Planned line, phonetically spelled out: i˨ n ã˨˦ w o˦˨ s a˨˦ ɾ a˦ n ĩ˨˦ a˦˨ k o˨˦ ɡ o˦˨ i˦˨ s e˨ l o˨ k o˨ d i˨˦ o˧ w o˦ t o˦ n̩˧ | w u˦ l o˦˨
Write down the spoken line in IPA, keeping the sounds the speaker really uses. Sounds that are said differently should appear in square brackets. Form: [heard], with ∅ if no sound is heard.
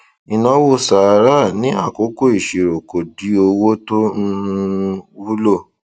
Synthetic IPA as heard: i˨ n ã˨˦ w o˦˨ s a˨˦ ɾ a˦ n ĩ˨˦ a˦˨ k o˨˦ [k] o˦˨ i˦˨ [ʃ] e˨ [ɾ] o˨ k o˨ d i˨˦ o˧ w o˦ t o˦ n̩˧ | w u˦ l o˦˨